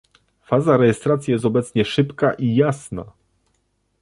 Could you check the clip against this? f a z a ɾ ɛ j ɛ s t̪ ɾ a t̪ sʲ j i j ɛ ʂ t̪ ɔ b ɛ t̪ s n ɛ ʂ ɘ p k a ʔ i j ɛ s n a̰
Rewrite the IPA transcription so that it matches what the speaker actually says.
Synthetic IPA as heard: f a z a ɾ ɛ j ɛ s t̪ ɾ a t̪ sʲ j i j ɛ s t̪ ɔ b ɛ t̪ s ɲ ɛ ʂ ɘ p k a ʔ i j a s n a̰